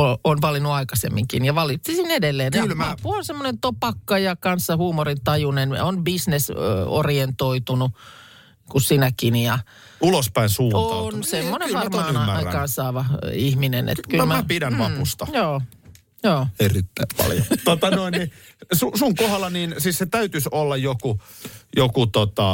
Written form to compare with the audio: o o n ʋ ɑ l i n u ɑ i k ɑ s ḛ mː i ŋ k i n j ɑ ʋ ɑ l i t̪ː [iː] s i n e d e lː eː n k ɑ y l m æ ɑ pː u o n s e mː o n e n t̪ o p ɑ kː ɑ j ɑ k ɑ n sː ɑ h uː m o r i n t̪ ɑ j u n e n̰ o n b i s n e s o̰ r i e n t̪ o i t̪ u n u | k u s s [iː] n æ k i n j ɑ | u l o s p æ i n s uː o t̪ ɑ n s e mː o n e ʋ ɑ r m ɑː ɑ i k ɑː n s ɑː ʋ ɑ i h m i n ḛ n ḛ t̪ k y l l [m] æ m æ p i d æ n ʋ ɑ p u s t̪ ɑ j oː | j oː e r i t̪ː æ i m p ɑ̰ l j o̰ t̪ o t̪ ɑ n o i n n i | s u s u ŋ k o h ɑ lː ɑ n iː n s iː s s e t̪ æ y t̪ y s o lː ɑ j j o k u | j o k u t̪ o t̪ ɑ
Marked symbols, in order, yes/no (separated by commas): no, no, yes